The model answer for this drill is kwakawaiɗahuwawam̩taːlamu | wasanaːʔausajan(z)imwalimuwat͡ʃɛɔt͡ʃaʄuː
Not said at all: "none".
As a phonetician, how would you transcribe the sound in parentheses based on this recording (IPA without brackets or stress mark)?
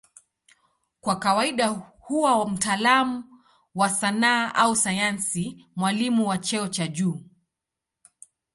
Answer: s